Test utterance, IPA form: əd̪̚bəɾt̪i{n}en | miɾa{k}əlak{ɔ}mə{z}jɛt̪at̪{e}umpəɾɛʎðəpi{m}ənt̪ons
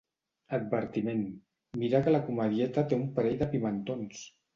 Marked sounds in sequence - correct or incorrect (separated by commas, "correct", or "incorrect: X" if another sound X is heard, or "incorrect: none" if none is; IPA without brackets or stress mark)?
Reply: incorrect: m, correct, incorrect: u, incorrect: ð, correct, correct